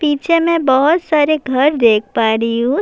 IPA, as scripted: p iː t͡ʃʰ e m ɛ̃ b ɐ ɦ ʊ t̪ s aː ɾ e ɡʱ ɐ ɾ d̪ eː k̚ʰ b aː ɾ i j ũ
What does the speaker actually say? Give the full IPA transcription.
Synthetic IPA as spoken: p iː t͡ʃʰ e m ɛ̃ b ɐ ɦ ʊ t̪ s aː ɾ e ɡʱ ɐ ɾ d̪ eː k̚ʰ p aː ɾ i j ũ